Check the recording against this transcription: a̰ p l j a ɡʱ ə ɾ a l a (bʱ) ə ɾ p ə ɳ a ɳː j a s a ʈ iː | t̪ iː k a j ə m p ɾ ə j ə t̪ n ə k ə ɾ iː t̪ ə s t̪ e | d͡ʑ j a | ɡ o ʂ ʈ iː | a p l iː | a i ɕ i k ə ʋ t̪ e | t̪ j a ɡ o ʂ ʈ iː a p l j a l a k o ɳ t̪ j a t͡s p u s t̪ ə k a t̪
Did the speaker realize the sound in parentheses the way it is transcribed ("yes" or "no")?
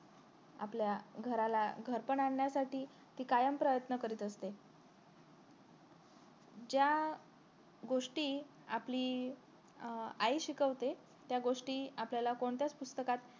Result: no